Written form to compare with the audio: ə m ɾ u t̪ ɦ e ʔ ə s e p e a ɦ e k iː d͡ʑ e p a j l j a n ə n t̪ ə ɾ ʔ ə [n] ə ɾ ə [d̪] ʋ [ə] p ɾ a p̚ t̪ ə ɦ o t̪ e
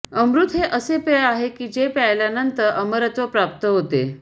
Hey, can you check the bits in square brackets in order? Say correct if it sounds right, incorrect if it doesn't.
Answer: incorrect: m, incorrect: t̪, correct

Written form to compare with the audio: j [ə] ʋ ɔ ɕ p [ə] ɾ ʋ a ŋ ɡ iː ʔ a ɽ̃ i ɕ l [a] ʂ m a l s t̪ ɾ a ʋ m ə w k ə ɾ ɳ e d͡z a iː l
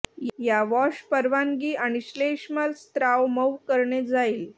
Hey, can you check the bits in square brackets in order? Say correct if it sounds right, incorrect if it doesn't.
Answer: incorrect: a, correct, incorrect: e

